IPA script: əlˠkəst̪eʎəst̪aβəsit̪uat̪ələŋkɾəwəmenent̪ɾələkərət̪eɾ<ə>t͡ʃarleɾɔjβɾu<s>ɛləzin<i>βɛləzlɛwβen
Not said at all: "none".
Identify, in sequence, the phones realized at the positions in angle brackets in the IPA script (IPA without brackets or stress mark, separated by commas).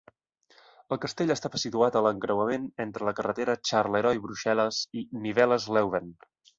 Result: ə, ʃ, i